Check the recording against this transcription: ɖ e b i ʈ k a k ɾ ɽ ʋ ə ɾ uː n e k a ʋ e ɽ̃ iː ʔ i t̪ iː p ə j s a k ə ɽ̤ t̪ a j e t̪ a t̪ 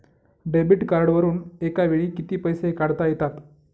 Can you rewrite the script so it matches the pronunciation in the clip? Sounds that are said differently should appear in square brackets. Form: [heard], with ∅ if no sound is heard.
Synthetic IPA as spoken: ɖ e b i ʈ k a [∅] ɾ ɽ ʋ ə ɾ uː n e k a ʋ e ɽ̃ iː [k] i t̪ iː p ə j s [e] k [a] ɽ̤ t̪ a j e t̪ a t̪